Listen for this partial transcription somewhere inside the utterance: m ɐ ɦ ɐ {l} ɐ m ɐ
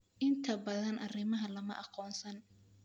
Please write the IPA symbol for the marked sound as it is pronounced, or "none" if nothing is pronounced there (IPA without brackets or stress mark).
l